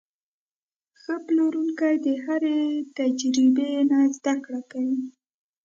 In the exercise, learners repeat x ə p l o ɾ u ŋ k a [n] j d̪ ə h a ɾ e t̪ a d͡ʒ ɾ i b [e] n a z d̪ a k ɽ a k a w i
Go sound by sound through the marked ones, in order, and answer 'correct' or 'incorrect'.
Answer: incorrect: none, correct

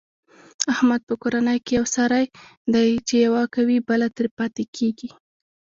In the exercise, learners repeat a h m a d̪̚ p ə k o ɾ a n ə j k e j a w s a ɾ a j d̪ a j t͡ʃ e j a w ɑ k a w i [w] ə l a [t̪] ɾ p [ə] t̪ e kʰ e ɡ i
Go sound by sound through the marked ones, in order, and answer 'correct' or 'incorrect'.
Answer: incorrect: b, correct, incorrect: ɑ

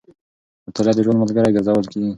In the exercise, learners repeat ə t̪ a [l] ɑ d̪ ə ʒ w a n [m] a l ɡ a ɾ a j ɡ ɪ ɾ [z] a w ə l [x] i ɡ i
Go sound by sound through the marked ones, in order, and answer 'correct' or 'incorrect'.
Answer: correct, correct, correct, incorrect: k

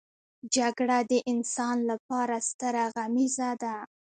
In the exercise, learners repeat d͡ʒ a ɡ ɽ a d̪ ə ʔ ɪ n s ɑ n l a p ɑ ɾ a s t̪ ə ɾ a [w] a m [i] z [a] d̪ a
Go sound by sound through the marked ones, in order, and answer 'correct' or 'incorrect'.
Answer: incorrect: ɣ, correct, correct

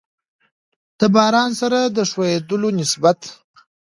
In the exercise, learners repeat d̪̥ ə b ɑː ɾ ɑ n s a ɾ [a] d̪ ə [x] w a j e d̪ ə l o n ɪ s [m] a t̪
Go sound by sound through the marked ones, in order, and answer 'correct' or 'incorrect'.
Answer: correct, incorrect: ʂ, incorrect: b

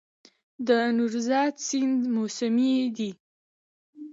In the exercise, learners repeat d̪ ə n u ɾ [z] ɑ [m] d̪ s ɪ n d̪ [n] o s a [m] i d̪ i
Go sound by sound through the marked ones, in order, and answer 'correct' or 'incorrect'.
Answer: correct, incorrect: none, incorrect: m, correct

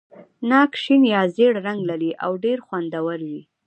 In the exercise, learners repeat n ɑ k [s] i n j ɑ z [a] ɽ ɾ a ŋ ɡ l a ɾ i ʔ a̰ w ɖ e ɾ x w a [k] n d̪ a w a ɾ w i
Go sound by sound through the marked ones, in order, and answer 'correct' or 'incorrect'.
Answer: incorrect: ʃ, incorrect: e, incorrect: none

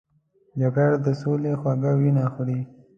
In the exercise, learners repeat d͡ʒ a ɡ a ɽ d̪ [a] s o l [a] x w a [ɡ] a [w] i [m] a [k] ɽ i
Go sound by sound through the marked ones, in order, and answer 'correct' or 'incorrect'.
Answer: incorrect: ə, incorrect: e, correct, correct, incorrect: n, incorrect: x

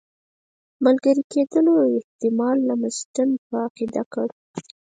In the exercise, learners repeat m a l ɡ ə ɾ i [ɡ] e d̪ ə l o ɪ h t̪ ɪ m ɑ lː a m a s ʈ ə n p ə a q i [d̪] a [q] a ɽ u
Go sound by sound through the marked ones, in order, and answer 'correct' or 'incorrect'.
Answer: incorrect: k, correct, incorrect: k

